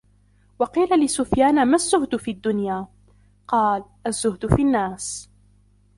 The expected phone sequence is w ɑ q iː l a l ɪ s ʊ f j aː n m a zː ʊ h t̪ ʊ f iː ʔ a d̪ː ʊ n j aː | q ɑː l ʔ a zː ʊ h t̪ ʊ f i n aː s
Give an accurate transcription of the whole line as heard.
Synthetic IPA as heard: w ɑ q iː l a l ɪ s ʊ f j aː n m a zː ʊ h d̪ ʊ f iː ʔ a d̪ː ʊ n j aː | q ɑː l ʔ a zː ʊ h d̪ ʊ f i nː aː s